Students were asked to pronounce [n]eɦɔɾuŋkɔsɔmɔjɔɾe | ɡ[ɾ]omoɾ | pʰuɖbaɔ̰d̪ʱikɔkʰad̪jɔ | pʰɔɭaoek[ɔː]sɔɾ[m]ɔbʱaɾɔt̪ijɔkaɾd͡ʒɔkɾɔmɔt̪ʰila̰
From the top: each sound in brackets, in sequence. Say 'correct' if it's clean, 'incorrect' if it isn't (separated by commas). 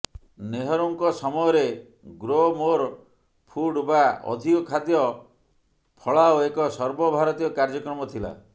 correct, correct, incorrect, incorrect